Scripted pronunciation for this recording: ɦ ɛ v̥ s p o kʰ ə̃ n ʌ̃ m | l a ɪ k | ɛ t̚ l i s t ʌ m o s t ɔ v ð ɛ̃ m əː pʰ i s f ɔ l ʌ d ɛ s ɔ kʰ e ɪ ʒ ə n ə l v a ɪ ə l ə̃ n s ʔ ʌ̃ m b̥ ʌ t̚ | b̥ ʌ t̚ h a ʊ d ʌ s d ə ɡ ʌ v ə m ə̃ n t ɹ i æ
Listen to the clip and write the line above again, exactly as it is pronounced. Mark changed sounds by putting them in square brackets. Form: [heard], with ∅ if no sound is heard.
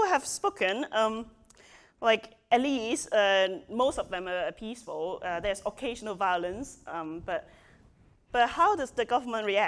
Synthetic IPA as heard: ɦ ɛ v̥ s p o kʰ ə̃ n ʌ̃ m | l a ɪ k | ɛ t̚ l i s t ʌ m o s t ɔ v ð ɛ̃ m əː pʰ i s f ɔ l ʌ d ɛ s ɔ kʰ e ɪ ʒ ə n ə l v a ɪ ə l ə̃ n s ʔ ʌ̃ m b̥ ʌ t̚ | b̥ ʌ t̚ h a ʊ d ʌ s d ə ɡ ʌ v ə m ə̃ n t ɹ i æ